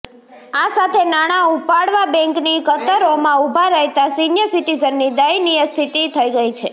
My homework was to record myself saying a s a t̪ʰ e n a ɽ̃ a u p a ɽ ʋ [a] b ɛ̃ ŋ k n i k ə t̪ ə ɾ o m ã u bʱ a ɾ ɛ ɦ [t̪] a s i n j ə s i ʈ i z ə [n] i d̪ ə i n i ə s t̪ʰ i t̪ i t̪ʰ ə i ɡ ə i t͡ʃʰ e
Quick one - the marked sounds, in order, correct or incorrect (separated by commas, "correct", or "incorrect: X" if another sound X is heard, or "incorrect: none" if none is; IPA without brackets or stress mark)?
correct, correct, incorrect: nː